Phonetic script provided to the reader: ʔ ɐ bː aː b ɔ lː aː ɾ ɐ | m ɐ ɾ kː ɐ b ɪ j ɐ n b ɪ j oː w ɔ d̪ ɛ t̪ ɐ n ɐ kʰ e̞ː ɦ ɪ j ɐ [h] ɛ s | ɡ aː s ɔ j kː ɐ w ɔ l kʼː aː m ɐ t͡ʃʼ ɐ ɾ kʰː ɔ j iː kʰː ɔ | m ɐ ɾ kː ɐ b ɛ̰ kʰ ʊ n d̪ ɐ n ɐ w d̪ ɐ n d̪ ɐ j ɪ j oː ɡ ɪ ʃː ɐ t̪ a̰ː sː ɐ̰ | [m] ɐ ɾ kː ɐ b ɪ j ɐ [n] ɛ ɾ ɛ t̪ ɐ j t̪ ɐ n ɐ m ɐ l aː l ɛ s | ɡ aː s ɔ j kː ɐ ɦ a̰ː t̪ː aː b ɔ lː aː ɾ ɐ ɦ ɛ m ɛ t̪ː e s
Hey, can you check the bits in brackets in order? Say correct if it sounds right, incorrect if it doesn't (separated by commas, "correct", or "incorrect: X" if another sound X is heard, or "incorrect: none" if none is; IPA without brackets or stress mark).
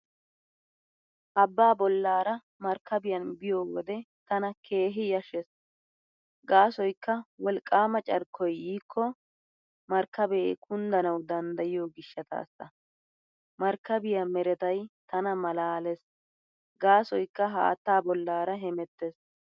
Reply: incorrect: ʃ, correct, incorrect: m